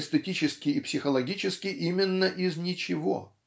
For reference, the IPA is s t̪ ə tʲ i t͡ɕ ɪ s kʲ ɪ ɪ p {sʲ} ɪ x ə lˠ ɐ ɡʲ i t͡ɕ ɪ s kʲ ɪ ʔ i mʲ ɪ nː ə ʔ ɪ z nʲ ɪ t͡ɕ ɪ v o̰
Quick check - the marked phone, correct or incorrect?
correct